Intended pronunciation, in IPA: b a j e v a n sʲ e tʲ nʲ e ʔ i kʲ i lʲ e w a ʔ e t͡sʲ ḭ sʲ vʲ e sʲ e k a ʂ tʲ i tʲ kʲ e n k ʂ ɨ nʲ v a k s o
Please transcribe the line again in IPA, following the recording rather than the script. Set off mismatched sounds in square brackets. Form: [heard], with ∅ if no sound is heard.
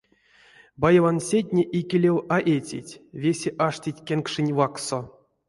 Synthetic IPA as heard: b a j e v a n sʲ e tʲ nʲ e ʔ i kʲ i lʲ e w a ʔ e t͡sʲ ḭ [tʲ] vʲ e sʲ e [ʔ] a ʂ tʲ i tʲ kʲ e n k ʂ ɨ nʲ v a k s o

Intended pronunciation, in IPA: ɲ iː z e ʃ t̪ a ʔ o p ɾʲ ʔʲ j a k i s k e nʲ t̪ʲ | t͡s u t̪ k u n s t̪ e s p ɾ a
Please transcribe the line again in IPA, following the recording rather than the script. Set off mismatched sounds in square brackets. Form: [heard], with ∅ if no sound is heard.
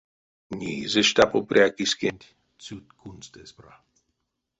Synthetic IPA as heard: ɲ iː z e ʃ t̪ a [p] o p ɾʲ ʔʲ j a k i s k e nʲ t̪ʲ | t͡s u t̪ k u n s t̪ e s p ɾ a

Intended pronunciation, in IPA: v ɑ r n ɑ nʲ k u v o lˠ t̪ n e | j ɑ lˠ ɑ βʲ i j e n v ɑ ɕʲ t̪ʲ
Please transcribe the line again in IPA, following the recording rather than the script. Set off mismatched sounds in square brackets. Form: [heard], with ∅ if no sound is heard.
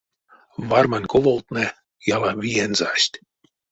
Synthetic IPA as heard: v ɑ r [m] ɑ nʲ k [o] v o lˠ t̪ n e | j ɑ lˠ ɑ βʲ i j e n [z] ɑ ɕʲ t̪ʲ

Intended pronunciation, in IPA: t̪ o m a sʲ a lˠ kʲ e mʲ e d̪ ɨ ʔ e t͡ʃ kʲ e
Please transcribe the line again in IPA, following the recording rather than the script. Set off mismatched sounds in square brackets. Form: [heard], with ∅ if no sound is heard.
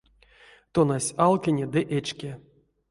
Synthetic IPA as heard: t̪ o [n] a sʲ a lˠ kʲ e [nʲ] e d̪ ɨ ʔ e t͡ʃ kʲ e

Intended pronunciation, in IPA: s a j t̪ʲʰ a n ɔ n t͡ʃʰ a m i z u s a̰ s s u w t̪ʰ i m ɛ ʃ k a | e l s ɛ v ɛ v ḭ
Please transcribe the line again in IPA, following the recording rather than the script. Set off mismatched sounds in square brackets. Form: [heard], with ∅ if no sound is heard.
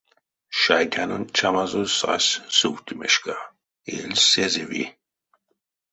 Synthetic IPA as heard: [ʃ] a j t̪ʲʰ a n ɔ n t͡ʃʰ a m [a] z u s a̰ s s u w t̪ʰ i m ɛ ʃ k a | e l s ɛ [z] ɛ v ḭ

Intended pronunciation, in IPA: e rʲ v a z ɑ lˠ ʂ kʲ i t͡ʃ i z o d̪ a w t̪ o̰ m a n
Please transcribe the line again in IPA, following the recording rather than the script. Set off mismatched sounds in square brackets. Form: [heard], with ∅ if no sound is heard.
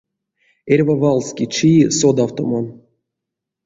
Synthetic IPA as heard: e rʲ v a [v] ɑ lˠ [s] kʲ i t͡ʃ i [s] o d̪ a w t̪ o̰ m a n

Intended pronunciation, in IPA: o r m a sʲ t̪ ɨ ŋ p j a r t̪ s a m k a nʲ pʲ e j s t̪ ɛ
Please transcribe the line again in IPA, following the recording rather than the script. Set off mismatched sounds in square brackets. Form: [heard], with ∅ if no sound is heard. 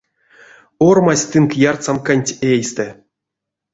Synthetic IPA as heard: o r m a sʲ t̪ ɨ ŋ [k] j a r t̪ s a m k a nʲ [tʲ] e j s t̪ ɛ

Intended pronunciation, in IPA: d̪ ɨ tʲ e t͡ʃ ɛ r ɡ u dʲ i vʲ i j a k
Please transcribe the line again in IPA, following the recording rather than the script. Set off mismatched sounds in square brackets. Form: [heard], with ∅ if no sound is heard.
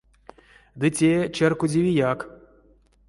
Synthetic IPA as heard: d̪ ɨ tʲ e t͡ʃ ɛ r [k] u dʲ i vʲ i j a k

